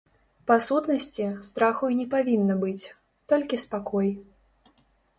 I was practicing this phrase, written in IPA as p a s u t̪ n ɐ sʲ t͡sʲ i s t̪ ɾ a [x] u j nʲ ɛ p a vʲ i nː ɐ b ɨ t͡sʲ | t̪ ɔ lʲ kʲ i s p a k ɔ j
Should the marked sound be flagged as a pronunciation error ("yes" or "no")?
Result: no